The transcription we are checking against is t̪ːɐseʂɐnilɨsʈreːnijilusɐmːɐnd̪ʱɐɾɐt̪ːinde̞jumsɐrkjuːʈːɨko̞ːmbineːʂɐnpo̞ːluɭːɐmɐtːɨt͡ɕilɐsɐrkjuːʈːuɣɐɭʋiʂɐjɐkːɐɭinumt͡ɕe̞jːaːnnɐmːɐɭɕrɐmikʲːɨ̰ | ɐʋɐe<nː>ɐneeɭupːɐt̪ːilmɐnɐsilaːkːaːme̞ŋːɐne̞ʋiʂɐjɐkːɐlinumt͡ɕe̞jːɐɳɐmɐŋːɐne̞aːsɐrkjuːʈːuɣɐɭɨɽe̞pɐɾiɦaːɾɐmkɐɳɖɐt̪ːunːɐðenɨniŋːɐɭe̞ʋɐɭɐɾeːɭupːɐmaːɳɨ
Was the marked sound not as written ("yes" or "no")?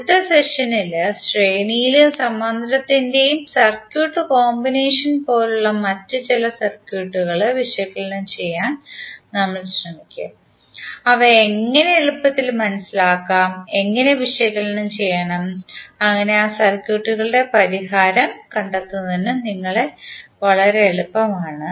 yes